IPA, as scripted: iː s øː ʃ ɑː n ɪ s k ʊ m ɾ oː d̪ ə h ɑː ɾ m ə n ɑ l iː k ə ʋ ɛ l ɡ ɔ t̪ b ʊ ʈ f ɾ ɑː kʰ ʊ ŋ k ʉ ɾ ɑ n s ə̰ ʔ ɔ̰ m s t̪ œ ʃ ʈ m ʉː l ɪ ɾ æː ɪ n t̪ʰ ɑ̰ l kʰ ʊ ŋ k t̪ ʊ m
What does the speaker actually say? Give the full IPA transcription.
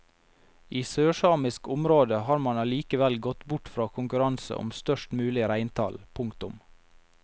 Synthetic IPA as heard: iː s øː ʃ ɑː m ɪ s k ʊ m ɾ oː d̪ ə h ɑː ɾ m ɑ n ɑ l iː k ə ʋ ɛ l ɡ ɔ t̪ b ʊ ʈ f ɾ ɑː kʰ ʊ ŋ k ʉ ɾ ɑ n s ə̰ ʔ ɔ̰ m s t̪ œ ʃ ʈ m ʉː l ɪ ɾ æ ɪ n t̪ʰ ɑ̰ l pʰ ʊ ŋ k t̪ ʊ m